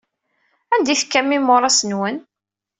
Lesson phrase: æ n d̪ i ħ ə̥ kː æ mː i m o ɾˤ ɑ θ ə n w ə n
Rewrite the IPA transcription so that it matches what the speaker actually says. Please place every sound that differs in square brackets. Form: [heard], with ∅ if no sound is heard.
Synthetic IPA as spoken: æ n d̪ i [θ] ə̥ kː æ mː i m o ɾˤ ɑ [s] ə n w ə n